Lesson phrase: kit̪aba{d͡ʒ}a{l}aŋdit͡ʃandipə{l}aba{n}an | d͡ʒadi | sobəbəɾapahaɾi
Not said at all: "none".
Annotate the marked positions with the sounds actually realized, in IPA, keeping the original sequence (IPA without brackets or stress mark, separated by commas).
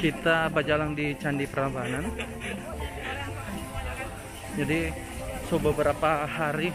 d͡ʒ, l, ɾ, n